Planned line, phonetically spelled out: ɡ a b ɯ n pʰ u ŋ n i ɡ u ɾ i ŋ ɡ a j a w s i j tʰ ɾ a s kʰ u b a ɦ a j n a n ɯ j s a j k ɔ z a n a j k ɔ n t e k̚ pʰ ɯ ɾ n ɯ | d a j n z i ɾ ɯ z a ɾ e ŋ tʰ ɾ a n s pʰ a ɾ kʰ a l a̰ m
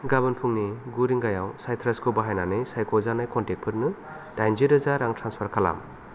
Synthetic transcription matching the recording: ɡ a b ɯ n pʰ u ŋ n i ɡ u ɾ i ŋ ɡ a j a w s a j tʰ ɾ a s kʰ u b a ɦ a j n a n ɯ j s a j k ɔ z a n a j k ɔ n t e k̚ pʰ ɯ ɾ n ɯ | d a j n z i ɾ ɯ z a ɾ a ŋ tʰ ɾ a n s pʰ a ɾ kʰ a l a̰ m